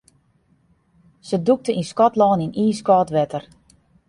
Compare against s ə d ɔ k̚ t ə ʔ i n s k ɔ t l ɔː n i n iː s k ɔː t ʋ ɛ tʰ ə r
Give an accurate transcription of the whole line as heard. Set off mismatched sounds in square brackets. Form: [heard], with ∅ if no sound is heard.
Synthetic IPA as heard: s ə d [u] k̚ t ə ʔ i n s k ɔ t l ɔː n i n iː s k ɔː t ʋ ɛ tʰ ə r

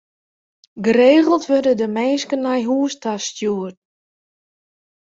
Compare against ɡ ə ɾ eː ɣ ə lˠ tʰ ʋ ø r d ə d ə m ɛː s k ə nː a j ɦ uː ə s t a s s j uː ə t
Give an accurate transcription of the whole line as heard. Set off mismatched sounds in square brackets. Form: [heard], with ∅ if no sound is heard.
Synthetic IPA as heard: ɡ ə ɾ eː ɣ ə lˠ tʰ ʋ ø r d ə d ə m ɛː s k ə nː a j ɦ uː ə s t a s [t] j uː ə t

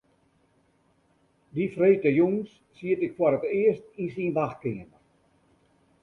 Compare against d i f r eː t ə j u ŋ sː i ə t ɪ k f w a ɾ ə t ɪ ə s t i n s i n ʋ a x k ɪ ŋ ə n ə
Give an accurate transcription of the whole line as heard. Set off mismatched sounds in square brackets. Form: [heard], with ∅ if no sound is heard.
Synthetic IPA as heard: d i f r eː t ə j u ŋ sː i ə t ɪ k f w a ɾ ə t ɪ ə s t i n s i n ʋ a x k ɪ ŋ ə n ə

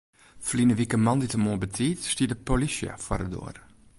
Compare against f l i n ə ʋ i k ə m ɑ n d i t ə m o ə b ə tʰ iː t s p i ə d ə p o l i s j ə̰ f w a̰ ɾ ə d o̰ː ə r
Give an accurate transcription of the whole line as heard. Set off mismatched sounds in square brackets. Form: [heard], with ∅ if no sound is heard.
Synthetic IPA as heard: f l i n ə ʋ i k ə m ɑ n d i t ə m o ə b ə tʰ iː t s [t] i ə d ə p o l i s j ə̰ f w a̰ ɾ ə d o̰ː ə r

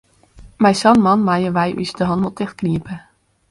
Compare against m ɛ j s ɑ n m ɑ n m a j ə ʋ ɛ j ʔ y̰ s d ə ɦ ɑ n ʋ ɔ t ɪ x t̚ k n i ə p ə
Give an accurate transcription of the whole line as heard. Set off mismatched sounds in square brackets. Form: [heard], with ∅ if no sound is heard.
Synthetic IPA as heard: m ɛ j s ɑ n m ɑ n m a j ə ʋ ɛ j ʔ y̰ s d ə ɦ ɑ n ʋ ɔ t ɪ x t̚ k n i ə p ə

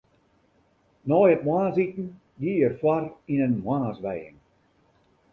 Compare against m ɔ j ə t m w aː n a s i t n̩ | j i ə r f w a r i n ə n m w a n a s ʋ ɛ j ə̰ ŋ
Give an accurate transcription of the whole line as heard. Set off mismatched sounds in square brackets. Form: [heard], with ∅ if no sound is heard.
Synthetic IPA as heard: [n] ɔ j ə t m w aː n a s i t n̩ | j i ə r f w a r i n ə n m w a n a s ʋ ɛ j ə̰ ŋ

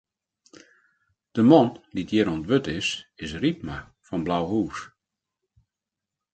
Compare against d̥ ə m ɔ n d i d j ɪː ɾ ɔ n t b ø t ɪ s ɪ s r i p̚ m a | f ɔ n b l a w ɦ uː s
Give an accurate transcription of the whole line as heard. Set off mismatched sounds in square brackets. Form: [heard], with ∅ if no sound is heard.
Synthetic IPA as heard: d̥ ə m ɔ n d i d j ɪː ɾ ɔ n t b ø t ɪ s ɪ s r i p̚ m a | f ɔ n b l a w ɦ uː s

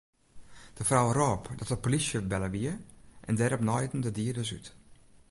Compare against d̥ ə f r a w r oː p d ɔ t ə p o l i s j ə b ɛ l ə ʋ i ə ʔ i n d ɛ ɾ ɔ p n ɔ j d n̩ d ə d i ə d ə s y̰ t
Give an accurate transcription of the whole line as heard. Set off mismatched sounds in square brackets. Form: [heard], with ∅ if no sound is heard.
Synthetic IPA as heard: d̥ ə f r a w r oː p d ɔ t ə p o l i s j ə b ɛ l ə ʋ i ə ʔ [ɛ] n d ɛ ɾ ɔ p n ɔ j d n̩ d ə d i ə d ə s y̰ t

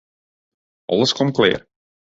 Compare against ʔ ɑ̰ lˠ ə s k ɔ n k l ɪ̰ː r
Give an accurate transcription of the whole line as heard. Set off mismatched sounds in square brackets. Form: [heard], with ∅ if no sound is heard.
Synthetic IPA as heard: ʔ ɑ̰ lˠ ə s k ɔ [m] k l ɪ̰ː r

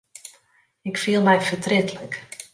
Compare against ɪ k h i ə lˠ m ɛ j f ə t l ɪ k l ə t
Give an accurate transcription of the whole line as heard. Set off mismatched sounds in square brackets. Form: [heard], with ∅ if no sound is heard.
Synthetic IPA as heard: ɪ k [f] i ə lˠ m ɛ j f ə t [r] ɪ [t] l ə [k]

